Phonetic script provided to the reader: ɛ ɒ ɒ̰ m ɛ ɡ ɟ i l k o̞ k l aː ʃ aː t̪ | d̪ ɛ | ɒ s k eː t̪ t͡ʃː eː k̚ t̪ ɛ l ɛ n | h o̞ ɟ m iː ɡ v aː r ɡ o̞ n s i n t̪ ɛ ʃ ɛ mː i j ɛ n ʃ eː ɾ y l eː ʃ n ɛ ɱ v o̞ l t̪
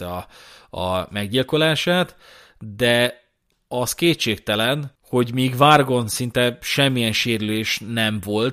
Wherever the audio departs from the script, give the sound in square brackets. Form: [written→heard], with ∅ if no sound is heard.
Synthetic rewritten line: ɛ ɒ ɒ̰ m ɛ ɡ ɟ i l k o̞ [k→∅] l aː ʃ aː t̪ | d̪ ɛ | ɒ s k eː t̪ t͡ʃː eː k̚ t̪ ɛ l ɛ n | h o̞ ɟ m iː ɡ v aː r ɡ o̞ n s i n t̪ ɛ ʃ ɛ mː i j ɛ n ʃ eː ɾ y l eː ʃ n ɛ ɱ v o̞ l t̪